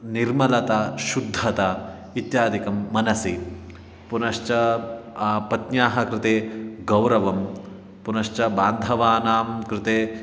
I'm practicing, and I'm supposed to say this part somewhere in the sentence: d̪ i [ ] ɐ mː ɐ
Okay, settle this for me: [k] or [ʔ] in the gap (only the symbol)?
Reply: k